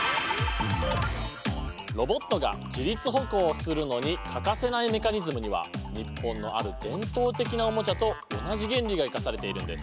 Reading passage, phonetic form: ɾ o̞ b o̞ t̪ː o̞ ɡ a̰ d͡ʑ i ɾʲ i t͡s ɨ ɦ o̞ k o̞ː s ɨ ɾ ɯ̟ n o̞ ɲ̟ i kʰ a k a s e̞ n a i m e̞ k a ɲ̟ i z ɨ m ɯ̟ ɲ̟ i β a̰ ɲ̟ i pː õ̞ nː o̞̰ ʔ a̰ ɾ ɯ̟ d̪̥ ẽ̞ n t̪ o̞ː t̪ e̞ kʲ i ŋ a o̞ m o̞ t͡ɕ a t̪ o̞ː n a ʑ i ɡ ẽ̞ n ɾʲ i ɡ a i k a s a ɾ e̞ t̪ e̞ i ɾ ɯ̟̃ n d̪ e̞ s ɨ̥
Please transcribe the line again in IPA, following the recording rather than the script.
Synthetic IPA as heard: ɾ o̞ b o̞ t̪ː o̞ ɡ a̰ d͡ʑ i ɾʲ i t͡s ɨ ɦ o̞ k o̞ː s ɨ ɾ ɯ̟ n o̞ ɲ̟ i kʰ a k a s e̞ n a i m e̞ k a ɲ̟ i z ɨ m ɯ̟ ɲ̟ i β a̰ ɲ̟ i pː õ̞ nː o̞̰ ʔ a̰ ɾ ɯ̟ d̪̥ ẽ̞ n t̪ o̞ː t̪ e̞ kʲ i n a o̞ m o̞ t͡ɕ a t̪ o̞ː n a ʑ i ɡ ẽ̞ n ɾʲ i ɡ a i k a s a ɾ e̞ t̪ e̞ i ɾ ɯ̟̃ n d̪ e̞ s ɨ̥